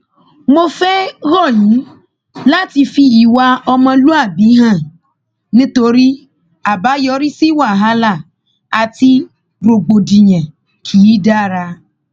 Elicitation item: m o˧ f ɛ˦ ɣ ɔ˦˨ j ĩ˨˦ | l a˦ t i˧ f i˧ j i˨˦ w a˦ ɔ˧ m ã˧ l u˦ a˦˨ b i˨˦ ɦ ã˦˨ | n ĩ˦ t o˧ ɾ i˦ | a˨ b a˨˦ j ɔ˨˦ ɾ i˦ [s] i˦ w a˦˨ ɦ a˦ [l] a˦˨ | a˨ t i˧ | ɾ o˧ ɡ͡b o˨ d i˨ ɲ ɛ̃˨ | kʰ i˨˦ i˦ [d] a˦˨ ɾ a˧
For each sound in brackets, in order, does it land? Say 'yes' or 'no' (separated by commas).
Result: yes, yes, yes